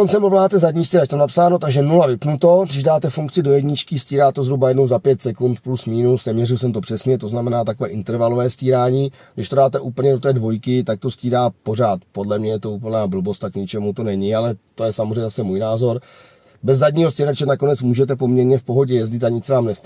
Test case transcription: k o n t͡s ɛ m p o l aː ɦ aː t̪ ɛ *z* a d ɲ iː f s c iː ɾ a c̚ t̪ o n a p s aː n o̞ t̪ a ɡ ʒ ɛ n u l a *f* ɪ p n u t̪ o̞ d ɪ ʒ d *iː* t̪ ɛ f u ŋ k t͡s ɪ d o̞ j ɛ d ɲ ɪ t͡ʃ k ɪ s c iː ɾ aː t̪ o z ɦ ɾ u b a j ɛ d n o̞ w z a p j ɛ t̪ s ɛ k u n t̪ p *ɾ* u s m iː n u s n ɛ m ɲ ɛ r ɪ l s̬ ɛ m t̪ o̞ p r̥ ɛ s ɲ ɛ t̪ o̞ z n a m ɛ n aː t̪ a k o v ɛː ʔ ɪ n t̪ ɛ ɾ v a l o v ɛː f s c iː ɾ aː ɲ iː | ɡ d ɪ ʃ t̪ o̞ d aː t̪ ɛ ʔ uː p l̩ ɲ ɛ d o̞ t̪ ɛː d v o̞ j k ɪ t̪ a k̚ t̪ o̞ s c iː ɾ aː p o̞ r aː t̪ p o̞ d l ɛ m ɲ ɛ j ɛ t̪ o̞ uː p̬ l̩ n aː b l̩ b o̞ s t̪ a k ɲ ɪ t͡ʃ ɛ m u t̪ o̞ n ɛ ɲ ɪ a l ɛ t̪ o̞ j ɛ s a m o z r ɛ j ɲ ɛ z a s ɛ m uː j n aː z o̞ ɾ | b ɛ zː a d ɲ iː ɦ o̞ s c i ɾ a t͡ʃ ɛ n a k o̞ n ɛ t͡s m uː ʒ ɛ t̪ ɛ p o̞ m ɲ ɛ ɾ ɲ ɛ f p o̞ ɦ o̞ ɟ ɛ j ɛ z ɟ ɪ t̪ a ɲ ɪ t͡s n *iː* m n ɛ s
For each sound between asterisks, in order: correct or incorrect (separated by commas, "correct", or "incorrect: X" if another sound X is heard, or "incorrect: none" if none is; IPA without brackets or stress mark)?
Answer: correct, incorrect: v, incorrect: aː, incorrect: l, incorrect: aː